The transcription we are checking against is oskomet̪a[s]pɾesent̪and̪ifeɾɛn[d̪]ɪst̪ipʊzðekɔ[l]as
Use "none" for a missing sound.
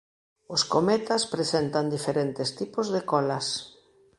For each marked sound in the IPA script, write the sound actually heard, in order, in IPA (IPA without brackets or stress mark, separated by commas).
s, t̪, l